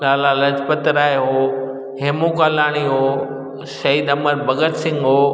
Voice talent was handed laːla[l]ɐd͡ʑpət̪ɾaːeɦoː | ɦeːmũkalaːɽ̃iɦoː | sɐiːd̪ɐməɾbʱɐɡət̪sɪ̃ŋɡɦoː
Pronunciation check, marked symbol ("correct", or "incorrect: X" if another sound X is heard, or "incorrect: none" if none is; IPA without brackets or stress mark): correct